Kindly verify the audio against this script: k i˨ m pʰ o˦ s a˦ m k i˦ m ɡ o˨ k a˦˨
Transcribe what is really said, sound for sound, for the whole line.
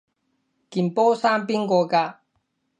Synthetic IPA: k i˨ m p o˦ s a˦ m p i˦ ŋ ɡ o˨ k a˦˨